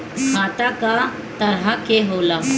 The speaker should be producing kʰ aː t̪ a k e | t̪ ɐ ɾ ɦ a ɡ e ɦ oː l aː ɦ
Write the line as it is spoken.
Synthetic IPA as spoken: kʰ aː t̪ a k a | t̪ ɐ ɾ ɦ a k e ɦ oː l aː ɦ